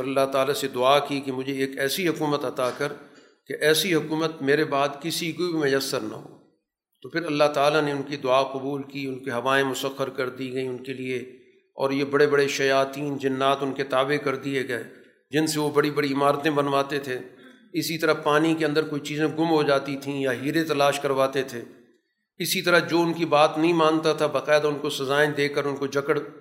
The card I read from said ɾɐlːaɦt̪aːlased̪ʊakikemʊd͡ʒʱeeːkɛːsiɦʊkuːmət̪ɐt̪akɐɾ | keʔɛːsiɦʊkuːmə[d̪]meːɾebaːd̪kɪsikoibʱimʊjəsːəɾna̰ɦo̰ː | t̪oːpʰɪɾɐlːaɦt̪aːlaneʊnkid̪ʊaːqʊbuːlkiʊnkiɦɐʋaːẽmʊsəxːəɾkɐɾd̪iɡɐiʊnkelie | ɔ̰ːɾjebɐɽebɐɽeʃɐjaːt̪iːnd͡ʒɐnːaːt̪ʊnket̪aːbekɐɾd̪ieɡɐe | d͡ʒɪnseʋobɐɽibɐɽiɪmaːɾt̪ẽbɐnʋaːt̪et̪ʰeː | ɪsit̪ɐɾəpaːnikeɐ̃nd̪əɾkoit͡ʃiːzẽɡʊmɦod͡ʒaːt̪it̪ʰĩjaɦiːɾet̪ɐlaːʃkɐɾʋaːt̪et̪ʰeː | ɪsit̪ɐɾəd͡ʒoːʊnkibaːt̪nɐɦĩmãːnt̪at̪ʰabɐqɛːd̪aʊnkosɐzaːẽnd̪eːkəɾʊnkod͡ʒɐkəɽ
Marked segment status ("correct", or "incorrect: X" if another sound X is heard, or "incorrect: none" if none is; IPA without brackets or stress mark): incorrect: t̪